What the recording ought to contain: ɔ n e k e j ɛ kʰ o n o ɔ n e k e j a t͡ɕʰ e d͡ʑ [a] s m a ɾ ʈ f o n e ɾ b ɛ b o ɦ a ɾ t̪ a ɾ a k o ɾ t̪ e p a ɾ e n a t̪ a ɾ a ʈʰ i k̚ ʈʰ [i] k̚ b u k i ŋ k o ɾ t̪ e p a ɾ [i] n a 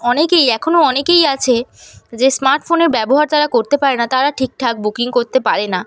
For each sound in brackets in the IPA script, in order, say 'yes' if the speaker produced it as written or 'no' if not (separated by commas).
no, no, no